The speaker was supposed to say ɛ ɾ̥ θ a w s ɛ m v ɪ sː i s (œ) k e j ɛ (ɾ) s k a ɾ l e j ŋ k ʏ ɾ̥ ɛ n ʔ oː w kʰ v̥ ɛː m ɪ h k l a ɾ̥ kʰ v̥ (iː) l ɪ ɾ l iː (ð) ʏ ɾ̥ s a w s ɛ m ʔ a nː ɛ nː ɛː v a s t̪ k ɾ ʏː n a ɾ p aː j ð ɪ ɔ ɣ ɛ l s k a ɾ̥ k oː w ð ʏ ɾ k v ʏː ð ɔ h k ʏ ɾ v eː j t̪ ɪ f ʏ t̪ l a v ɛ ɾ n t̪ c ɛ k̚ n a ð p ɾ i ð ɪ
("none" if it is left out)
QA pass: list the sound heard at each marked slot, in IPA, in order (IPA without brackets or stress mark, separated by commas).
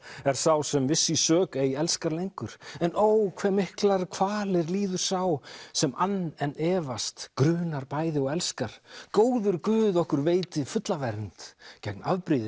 œː, l, aː, ð